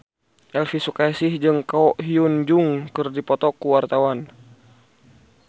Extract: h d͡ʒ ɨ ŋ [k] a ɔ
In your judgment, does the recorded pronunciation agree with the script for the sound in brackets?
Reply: yes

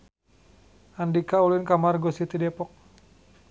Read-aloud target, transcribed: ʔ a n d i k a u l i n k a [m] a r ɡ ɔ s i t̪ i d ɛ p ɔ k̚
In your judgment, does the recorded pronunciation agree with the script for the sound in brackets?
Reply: yes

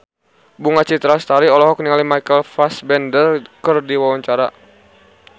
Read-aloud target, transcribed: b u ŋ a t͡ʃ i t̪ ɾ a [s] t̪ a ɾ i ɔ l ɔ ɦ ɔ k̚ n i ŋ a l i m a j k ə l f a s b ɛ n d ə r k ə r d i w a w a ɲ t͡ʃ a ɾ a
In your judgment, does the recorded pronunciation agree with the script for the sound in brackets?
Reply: yes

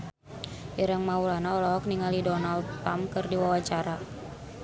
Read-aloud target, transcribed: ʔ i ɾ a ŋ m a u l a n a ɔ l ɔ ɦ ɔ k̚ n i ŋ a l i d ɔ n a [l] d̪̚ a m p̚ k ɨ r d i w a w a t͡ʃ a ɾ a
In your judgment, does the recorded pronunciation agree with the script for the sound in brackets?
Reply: yes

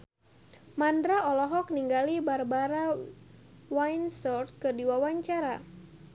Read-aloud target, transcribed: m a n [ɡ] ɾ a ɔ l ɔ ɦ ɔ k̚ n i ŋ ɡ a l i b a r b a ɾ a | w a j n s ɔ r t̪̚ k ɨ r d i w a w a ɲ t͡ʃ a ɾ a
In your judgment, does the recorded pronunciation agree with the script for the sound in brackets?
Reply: no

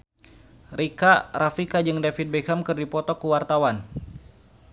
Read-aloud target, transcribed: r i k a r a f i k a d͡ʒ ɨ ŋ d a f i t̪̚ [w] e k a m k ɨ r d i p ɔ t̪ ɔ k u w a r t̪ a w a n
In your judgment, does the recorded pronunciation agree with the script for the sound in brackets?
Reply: no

